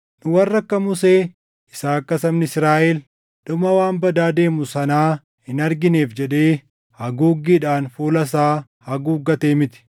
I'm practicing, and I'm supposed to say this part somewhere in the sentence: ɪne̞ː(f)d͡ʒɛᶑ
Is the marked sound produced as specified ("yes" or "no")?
yes